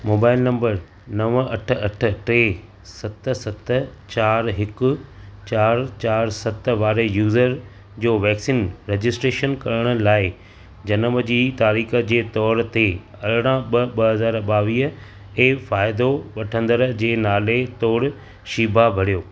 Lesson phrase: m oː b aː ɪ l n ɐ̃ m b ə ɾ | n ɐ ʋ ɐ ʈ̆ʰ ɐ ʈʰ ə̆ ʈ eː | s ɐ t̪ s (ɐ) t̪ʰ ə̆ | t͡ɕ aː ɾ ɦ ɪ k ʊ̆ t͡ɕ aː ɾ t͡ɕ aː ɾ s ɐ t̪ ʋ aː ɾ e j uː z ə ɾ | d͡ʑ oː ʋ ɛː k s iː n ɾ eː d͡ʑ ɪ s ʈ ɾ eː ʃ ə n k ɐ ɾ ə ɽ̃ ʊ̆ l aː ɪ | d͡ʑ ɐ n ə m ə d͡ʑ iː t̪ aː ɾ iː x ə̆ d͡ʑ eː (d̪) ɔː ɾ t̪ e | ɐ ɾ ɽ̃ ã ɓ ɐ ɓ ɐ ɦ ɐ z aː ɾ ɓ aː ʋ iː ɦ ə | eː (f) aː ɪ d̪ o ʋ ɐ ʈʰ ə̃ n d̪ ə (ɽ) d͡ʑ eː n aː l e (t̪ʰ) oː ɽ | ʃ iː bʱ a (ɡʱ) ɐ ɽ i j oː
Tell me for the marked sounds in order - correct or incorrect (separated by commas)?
correct, incorrect, correct, incorrect, incorrect, incorrect